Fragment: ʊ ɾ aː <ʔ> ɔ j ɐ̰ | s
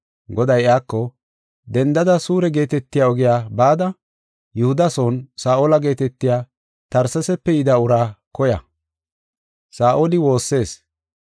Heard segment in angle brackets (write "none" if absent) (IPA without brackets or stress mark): k